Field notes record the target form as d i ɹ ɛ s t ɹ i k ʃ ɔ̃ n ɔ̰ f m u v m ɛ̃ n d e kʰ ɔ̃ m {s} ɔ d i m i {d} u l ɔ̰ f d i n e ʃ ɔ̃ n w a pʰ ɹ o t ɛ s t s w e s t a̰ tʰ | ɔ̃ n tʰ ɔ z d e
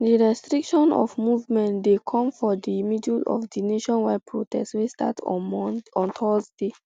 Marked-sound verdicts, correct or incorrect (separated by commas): incorrect, correct